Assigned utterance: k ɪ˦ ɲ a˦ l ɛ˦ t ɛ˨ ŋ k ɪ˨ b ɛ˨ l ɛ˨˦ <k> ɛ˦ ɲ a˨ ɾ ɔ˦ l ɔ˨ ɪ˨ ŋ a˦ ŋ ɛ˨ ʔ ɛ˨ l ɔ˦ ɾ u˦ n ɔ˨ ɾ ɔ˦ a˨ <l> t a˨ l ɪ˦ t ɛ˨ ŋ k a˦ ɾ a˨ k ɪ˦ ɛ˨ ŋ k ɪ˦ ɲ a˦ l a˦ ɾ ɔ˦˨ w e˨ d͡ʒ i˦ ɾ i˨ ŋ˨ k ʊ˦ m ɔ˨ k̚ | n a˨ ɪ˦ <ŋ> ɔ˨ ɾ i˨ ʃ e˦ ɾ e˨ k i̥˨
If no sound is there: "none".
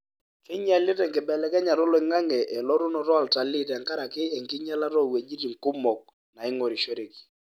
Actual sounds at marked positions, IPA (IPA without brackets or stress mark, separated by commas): k, l, ŋ